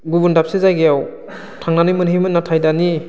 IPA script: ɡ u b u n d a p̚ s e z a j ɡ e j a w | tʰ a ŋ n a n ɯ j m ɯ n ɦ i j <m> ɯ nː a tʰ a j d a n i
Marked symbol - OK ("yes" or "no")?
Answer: yes